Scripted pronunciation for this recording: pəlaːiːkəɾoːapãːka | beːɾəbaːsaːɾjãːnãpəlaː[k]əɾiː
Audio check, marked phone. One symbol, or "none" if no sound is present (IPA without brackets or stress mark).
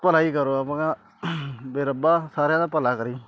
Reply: k